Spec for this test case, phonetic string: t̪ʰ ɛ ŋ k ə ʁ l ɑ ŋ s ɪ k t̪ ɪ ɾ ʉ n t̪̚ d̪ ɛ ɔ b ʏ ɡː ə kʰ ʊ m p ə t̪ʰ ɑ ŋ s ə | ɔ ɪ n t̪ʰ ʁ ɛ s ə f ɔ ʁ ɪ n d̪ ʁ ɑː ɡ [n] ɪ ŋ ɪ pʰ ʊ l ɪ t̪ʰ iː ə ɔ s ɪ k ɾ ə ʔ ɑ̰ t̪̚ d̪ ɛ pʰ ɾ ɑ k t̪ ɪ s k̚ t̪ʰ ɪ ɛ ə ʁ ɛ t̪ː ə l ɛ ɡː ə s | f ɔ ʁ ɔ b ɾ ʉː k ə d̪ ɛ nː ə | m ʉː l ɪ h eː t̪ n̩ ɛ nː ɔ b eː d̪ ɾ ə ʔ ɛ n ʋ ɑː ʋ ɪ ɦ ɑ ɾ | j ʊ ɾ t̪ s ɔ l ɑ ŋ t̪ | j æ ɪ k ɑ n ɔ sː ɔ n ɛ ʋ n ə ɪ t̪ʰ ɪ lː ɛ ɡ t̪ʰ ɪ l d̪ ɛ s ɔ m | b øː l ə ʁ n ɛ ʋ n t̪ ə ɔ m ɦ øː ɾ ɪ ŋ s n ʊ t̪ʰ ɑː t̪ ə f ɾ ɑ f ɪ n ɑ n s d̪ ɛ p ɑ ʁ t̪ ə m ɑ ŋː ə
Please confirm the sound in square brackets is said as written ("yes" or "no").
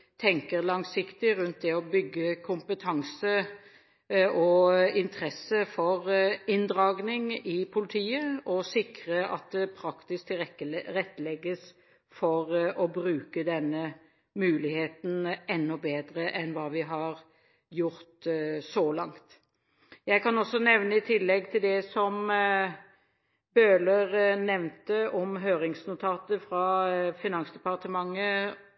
yes